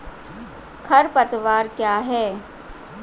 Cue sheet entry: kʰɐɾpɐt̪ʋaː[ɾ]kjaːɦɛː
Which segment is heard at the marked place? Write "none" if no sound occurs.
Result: ɾ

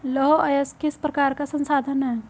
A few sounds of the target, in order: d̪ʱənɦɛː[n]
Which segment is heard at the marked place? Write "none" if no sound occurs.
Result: none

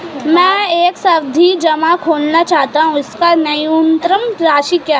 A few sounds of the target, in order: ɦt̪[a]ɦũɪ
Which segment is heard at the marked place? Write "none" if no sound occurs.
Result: a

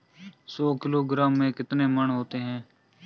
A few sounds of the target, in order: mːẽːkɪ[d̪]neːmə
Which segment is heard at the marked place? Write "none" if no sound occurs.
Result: t̪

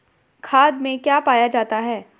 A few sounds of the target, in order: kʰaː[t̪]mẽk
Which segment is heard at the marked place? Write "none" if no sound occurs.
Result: d̪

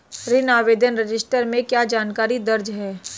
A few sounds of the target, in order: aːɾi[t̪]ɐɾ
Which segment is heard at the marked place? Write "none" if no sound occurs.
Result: d̪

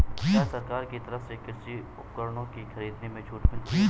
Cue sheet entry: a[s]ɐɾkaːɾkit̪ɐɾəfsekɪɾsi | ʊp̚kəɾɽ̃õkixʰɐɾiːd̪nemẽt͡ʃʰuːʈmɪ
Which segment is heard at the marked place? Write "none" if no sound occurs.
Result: s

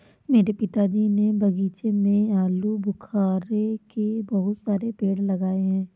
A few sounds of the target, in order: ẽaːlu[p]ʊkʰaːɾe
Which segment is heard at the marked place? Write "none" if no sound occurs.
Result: b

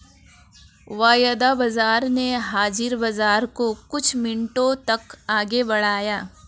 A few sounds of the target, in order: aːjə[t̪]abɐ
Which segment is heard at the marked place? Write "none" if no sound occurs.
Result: d̪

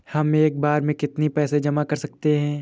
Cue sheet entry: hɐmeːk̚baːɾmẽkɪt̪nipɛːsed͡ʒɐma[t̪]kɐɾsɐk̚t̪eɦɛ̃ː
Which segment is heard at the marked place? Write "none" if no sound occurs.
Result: none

